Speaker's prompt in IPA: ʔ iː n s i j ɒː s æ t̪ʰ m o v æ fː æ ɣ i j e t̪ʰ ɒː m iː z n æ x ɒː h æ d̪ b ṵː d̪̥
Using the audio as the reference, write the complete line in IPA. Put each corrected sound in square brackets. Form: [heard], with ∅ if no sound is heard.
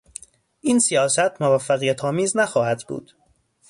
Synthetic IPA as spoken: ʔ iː n s i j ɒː s æ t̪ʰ m o v æ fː æ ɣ i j [æ] t̪ʰ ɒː m iː z n æ x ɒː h æ d̪ b ṵː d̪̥